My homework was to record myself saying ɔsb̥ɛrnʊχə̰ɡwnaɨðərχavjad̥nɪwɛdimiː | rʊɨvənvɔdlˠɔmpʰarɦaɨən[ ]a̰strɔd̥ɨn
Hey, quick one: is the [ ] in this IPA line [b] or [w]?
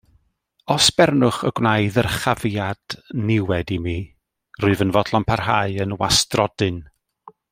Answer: w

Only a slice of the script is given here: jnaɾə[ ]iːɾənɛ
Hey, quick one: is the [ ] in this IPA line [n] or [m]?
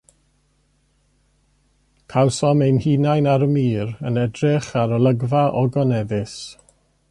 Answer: m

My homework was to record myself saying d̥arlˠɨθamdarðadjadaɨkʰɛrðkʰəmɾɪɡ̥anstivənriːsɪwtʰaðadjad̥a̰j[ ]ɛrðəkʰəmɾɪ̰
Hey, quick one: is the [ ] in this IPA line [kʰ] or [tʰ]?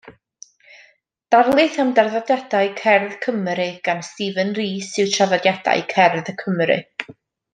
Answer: kʰ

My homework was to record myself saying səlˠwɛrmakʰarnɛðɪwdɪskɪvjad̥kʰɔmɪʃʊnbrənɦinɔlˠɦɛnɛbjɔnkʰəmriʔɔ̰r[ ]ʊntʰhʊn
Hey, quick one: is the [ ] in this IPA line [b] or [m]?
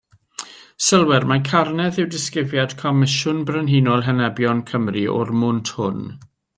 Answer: m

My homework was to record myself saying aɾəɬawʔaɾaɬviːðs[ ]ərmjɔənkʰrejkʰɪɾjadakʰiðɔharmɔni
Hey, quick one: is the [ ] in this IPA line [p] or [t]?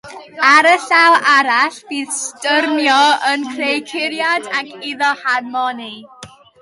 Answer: t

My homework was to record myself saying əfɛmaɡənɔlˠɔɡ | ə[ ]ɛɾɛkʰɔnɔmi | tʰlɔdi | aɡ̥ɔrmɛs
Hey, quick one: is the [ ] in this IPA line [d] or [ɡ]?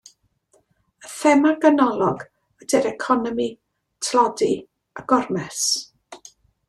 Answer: d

